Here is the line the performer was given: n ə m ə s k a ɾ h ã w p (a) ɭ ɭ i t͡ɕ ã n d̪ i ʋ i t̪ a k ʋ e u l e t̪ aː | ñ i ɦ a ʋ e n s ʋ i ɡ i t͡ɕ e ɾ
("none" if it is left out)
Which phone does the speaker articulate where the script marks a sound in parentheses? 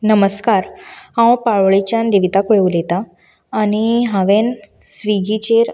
a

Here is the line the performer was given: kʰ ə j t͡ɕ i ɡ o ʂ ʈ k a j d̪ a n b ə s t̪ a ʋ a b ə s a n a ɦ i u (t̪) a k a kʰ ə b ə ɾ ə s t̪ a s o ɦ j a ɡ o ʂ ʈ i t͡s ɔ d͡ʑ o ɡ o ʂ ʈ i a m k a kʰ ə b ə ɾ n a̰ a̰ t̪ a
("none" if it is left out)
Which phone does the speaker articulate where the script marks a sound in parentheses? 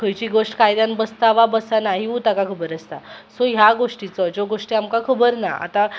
t̪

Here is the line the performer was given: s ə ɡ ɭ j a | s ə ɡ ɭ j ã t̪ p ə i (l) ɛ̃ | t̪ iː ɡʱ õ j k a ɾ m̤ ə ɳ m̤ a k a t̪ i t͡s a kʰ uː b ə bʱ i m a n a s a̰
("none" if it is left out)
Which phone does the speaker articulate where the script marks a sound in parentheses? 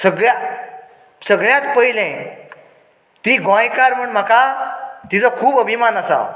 l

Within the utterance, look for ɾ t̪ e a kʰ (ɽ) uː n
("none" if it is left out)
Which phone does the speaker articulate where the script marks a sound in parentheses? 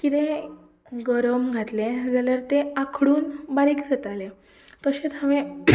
ɽ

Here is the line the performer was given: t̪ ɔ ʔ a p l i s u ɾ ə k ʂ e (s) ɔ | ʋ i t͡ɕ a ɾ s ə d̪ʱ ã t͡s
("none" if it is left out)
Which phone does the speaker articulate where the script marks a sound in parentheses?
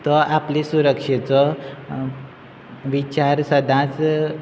t͡s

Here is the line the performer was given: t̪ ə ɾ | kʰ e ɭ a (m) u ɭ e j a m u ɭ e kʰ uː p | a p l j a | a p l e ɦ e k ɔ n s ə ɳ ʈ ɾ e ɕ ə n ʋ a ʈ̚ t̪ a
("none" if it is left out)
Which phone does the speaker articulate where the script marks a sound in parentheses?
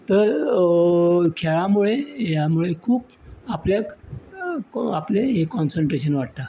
m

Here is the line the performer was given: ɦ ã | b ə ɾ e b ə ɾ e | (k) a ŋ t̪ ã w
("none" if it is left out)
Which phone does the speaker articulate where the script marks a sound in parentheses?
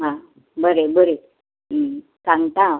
k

